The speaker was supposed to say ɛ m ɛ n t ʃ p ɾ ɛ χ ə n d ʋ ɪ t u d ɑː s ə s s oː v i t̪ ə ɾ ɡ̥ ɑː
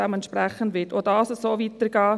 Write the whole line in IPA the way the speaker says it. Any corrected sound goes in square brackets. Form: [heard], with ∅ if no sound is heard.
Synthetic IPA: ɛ m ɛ n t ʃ p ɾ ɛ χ ə n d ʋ ɪ t [o] d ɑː s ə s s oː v i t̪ ə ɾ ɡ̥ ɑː